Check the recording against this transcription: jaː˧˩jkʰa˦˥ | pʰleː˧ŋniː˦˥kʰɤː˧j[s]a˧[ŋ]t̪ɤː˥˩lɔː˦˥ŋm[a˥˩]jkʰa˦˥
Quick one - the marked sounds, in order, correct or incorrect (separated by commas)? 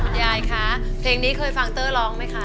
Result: incorrect, correct, incorrect